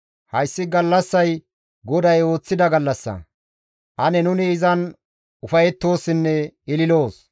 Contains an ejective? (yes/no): no